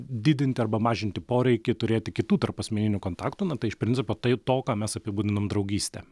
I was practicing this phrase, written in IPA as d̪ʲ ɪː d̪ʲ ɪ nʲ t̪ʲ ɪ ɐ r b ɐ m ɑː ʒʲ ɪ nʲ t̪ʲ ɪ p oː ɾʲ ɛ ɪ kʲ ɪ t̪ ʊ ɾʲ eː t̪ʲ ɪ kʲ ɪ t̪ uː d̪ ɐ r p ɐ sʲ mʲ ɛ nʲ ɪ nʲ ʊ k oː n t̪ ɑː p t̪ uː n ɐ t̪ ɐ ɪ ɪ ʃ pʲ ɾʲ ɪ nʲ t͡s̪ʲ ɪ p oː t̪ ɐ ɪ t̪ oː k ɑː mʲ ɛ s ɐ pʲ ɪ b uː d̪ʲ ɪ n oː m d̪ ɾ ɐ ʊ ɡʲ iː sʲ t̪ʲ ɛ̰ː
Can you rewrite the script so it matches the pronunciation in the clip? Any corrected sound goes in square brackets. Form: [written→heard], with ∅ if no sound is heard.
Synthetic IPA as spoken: d̪ʲ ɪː d̪ʲ ɪ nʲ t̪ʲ ɪ ɐ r b ɐ m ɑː ʒʲ ɪ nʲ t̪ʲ ɪ p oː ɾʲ ɛ ɪ kʲ ɪ t̪ ʊ ɾʲ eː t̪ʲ ɪ kʲ ɪ t̪ uː [d̪→t̪] ɐ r p ɐ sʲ mʲ ɛ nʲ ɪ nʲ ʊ k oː n t̪ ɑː [p→k] t̪ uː n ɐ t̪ ɐ ɪ ɪ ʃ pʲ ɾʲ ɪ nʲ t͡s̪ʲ ɪ p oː t̪ ɐ ɪ t̪ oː k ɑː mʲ ɛ s ɐ pʲ ɪ b uː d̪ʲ ɪ n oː m d̪ ɾ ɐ ʊ ɡʲ iː sʲ t̪ʲ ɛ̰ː